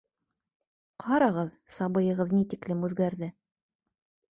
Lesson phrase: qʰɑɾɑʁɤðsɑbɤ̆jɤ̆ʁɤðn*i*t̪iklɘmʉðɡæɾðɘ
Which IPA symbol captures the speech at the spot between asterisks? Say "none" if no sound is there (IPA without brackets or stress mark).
i